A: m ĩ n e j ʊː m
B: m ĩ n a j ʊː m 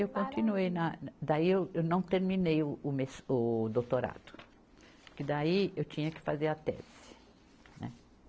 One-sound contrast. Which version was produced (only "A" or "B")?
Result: A